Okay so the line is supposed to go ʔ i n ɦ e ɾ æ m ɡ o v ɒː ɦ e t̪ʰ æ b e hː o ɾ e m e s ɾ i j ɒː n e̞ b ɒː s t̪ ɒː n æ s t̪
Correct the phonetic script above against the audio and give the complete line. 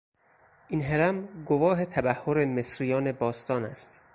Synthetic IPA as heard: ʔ i n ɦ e ɾ æ m ɡ o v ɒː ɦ e t̪ʰ æ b æ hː o ɾ e m e s ɾ i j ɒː n e̞ b ɒː s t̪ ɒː n æ s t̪